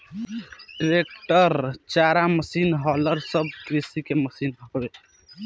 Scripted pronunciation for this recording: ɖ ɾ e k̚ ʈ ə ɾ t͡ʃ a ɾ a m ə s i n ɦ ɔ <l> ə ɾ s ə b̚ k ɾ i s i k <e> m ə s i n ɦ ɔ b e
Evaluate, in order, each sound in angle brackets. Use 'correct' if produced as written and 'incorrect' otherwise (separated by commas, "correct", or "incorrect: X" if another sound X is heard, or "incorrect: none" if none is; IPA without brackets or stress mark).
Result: correct, correct